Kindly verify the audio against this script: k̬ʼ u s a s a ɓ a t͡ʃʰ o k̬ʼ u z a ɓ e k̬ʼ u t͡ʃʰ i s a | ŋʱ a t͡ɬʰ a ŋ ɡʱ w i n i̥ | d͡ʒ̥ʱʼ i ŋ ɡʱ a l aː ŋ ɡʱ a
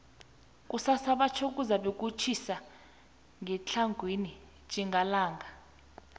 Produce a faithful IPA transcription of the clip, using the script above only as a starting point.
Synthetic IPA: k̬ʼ u s a s a ɓ a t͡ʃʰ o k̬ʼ u z a ɓ e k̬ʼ u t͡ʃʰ i s a | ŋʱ ɛ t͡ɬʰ a ŋ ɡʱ w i n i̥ | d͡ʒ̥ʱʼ i ŋ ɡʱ a l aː ŋ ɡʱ a